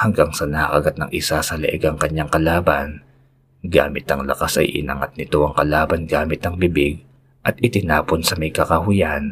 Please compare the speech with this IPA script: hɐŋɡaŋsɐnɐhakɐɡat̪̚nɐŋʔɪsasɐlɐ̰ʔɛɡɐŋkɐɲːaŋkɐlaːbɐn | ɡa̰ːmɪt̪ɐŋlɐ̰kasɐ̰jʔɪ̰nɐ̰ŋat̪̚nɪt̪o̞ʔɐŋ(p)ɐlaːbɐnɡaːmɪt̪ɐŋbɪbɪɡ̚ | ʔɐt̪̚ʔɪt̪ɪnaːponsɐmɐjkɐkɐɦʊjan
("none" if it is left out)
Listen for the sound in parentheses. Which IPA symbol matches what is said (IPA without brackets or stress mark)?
k